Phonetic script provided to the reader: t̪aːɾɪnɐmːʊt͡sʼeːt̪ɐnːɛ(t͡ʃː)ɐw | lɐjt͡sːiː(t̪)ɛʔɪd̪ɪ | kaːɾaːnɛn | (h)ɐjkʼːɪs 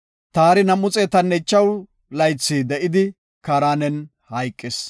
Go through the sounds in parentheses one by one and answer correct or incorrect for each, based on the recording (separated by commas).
correct, incorrect, correct